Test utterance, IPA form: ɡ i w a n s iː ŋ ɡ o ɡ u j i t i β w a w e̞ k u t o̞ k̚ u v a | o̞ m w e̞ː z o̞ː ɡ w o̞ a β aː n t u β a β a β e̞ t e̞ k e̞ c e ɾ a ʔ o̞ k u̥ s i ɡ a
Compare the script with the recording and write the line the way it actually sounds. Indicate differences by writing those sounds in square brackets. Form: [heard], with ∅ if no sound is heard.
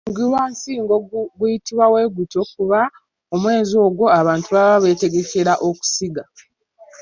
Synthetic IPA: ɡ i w a n s iː ŋ ɡ o ɡ u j i t i β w a w e̞ [ɡ] u t o̞ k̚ u [β] a | o̞ m w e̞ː z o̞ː ɡ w o̞ a β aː n t u β a β a β e̞ t e̞ [ɡ] e̞ c e ɾ a ʔ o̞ k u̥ s i ɡ a